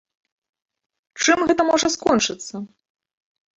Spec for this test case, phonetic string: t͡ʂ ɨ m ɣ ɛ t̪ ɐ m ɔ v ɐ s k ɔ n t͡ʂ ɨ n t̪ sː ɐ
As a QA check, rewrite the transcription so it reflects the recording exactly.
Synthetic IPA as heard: t͡ʂ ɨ m ɣ ɛ t̪ ɐ m ɔ ʐ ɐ s k ɔ n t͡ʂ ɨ t̪ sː ɐ